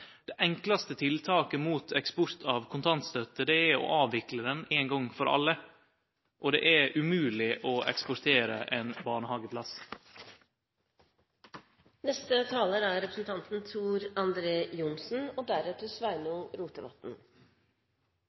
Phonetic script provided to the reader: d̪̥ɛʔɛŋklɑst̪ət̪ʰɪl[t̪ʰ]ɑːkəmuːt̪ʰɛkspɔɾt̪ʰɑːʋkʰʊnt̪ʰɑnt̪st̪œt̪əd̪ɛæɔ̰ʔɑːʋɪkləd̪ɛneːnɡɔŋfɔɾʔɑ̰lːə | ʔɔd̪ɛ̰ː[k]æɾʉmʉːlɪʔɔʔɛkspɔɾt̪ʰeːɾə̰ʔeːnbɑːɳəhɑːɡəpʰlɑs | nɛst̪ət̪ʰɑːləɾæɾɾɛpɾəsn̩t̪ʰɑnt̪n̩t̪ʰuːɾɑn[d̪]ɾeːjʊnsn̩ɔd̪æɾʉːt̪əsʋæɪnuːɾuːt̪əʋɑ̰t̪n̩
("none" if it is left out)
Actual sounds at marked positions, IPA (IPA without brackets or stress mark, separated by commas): t̪ʰ, ʔ, d̪